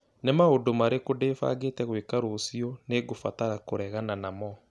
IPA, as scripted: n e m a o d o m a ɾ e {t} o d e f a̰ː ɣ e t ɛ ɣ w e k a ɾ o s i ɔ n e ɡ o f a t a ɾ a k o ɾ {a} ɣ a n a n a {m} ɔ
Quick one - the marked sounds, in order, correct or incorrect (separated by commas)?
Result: incorrect, incorrect, correct